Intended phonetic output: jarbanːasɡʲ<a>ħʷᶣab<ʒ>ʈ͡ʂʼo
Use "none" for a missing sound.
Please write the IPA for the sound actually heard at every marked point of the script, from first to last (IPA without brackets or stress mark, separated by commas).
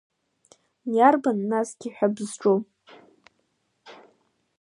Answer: i, z